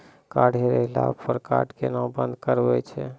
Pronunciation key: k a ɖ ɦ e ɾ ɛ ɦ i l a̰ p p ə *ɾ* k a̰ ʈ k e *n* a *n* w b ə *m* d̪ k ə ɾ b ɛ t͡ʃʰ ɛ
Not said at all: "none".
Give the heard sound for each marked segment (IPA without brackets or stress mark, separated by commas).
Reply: ɾ, n, none, n